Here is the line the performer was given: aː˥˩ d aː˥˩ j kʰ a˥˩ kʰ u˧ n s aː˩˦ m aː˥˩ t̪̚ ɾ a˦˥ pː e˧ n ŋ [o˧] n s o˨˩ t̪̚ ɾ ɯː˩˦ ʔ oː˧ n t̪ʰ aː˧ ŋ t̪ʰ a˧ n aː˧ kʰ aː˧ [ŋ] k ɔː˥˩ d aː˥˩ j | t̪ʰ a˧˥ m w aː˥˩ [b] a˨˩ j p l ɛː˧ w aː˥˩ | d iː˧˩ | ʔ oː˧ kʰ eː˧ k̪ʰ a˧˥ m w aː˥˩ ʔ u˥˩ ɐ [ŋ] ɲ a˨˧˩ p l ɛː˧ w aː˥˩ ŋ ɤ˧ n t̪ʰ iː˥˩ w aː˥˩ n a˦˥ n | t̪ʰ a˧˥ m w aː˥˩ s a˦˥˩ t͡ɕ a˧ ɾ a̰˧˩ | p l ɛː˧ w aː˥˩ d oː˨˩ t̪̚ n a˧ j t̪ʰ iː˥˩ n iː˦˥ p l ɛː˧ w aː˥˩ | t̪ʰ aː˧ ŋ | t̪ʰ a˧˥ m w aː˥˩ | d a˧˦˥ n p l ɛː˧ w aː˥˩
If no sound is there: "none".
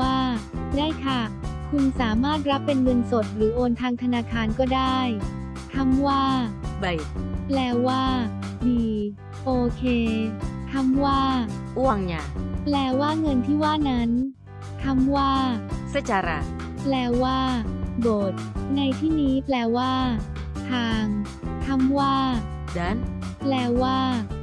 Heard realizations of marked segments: ɤ˧, n, b, ŋ

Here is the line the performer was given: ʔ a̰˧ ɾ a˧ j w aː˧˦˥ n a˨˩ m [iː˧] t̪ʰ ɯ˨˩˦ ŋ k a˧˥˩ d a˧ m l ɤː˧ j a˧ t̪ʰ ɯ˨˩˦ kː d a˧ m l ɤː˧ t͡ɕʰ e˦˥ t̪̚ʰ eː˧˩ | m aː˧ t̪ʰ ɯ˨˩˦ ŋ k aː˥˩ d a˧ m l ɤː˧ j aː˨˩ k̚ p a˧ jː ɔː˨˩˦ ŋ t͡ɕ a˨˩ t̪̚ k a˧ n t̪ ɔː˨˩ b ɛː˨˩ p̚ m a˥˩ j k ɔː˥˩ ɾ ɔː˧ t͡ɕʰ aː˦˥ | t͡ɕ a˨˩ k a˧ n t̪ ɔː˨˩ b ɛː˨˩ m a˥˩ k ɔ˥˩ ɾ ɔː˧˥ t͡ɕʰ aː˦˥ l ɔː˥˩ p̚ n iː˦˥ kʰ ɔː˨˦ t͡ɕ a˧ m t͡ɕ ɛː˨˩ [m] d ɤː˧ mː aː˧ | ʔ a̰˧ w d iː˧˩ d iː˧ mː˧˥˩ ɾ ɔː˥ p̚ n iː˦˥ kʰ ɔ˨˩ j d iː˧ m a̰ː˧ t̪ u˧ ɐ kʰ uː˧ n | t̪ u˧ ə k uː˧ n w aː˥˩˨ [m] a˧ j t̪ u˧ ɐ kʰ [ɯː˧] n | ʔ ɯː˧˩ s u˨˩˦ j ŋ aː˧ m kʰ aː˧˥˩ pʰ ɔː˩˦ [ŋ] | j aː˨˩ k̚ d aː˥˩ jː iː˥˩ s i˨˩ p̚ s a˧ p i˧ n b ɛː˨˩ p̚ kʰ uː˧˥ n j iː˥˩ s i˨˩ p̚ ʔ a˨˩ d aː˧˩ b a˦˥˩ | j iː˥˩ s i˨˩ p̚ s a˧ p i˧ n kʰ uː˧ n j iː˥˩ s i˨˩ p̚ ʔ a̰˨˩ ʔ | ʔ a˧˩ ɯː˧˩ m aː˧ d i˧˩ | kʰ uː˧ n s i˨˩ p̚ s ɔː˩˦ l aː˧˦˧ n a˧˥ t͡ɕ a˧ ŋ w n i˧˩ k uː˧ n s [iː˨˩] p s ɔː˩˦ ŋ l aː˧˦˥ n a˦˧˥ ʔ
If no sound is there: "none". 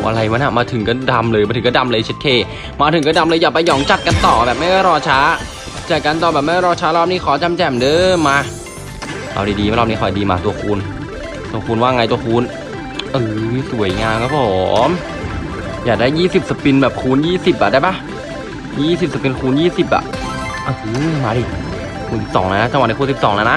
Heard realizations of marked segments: aː˧, m, ŋ, uː˧, m, i˨˩

